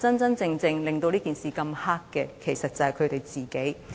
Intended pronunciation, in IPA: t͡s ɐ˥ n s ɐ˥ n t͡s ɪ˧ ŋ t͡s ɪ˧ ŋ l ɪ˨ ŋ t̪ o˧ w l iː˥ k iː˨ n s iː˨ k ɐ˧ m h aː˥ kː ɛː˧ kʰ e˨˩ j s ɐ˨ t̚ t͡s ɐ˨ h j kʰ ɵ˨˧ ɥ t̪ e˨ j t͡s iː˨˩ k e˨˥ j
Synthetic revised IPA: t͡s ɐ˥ n t͡s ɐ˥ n t͡s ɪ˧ ŋ t͡s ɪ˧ ŋ l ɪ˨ ŋ t̪ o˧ w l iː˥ k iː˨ n s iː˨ k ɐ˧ m h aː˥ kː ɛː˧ kʰ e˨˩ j s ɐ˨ t̚ t͡s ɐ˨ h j kʰ ɵ˨˧ ɥ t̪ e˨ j t͡s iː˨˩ k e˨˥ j